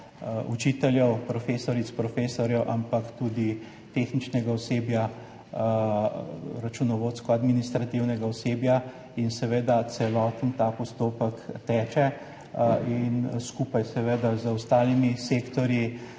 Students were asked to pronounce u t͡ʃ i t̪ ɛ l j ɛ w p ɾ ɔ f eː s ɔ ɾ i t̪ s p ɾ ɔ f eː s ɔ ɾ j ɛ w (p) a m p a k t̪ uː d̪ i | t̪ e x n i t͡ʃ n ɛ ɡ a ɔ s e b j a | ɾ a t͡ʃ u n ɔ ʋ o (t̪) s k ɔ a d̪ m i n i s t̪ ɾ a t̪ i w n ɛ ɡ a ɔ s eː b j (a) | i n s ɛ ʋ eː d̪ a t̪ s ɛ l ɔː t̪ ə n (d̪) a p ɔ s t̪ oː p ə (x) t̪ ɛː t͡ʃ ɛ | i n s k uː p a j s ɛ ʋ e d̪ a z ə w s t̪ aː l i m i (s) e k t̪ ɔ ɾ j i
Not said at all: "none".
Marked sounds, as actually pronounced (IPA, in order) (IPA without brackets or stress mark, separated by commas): ʔ, t̪, a, t̪, k, s